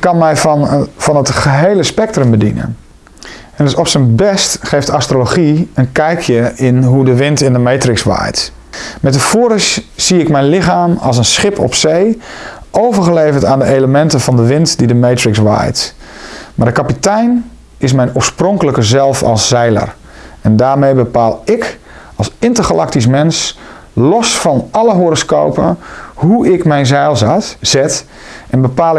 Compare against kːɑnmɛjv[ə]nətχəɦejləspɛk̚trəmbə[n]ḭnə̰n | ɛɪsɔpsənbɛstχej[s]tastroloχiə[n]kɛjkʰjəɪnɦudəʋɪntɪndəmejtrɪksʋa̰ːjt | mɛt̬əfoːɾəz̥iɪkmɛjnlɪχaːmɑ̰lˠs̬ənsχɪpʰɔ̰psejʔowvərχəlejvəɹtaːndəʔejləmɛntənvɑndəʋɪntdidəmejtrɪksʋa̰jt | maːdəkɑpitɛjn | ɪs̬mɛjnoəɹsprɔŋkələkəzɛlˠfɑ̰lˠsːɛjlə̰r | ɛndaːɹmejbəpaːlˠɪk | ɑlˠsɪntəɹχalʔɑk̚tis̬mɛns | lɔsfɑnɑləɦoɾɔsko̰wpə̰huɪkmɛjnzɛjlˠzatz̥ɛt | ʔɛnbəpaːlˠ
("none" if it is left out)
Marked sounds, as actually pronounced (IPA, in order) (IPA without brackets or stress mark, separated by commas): ɑ, d, f, n